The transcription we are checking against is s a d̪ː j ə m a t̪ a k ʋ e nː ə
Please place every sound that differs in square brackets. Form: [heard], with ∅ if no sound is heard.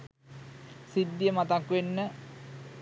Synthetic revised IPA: s [i] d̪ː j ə m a t̪ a k ʋ e nː ə